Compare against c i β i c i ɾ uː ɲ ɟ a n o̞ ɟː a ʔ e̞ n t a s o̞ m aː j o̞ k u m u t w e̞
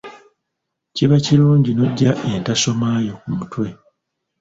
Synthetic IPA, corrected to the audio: c i β a c i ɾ uː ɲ ɟ i n o̞ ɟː a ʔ e̞ n t a s o̞ m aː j o̞ k u m u t w e̞